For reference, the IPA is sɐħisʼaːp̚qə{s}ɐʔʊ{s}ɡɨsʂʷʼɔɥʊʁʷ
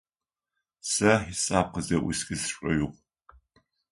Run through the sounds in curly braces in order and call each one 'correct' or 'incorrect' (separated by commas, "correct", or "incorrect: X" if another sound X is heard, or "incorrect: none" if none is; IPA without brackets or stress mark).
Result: incorrect: z, correct